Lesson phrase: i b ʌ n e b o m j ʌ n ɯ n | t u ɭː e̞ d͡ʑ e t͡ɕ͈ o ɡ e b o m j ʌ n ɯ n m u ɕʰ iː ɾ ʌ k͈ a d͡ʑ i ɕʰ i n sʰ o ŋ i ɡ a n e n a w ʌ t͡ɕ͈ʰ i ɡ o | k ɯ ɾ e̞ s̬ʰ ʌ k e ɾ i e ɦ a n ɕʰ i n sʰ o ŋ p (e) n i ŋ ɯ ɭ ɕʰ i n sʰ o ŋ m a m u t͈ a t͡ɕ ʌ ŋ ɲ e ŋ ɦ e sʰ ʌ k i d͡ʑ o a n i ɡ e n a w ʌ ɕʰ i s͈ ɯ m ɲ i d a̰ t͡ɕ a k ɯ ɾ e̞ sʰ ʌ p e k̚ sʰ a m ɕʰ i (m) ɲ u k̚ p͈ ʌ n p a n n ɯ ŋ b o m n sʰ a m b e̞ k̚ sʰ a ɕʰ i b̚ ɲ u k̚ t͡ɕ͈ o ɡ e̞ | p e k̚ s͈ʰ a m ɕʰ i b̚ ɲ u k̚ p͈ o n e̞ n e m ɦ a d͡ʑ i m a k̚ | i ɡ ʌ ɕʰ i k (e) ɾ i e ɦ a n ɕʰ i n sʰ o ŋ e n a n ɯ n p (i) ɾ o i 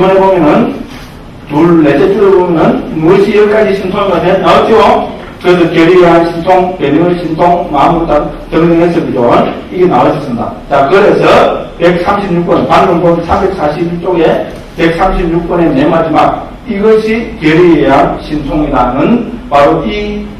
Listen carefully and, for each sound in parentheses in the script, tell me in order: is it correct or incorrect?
correct, incorrect: b, correct, incorrect: a

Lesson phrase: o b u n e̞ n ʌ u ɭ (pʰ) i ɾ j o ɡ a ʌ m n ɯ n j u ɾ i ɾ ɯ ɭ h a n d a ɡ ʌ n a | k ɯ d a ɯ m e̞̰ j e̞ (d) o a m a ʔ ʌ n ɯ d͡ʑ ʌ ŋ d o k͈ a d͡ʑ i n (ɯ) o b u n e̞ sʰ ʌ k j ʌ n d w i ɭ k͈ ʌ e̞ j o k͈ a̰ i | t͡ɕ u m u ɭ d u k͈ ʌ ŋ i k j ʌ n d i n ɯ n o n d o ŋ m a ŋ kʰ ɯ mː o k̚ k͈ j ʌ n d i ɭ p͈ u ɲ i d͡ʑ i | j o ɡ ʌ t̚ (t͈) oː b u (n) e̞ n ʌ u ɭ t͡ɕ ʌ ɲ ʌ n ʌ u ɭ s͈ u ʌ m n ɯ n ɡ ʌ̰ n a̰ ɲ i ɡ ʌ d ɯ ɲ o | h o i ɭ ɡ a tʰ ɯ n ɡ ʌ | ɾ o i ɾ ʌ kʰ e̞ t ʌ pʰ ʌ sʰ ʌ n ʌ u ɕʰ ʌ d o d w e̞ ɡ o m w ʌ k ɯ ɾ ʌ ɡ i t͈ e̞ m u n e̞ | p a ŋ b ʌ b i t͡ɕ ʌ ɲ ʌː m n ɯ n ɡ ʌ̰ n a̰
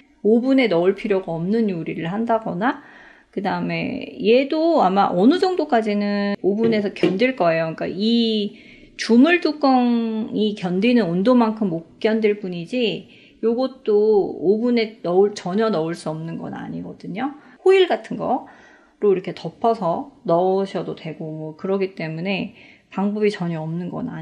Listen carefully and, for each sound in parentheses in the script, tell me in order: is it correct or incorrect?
correct, correct, correct, correct, correct

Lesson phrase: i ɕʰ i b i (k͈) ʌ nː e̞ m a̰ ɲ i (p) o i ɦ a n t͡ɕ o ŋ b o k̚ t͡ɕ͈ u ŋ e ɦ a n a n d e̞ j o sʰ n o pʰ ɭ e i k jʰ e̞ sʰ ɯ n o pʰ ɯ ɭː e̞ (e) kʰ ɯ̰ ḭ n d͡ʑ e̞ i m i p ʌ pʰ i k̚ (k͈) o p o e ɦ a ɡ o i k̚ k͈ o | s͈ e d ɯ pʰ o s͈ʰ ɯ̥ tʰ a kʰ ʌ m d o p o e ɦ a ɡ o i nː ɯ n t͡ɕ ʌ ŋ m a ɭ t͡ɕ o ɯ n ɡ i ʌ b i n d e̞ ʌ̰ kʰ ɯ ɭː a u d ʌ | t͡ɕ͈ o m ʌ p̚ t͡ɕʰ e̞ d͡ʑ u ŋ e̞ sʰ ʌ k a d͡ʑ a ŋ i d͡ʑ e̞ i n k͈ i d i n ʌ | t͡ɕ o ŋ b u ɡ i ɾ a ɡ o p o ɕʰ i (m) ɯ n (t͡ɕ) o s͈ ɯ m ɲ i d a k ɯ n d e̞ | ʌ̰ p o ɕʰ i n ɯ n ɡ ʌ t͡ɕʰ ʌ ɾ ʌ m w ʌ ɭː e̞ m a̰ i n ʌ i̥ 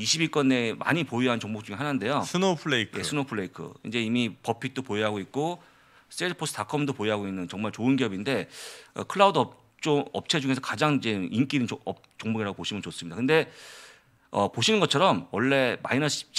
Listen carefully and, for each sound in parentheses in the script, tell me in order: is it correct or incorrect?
correct, correct, incorrect: i, incorrect: t͈, correct, correct

